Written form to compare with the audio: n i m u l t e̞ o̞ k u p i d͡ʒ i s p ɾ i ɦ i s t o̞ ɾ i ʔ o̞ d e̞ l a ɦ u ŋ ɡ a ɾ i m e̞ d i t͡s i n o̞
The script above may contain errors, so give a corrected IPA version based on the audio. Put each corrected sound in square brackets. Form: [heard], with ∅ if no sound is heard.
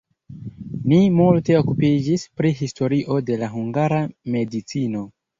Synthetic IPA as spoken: n i m u l t e̞ o̞ k u p i d͡ʒ i s p ɾ i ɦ i s t o̞ ɾ i ʔ o̞ d e̞ l a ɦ u ŋ ɡ a ɾ [a] m e̞ d i t͡s i n o̞